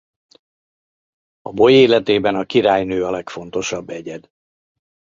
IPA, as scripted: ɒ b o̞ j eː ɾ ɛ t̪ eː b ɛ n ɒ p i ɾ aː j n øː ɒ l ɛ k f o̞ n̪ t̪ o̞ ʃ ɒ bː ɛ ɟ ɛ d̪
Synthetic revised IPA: ɒ b o̞ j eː l ɛ t̪ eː b ɛ n ɒ k i ɾ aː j n øː ɒ l ɛ k f o̞ n̪ t̪ o̞ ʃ ɒ bː ɛ ɟ ɛ d̪